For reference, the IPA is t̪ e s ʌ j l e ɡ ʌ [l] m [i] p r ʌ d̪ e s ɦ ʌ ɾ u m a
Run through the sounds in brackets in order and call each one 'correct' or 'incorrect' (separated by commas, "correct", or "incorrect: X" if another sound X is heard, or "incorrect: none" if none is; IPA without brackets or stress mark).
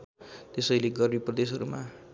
incorrect: r, correct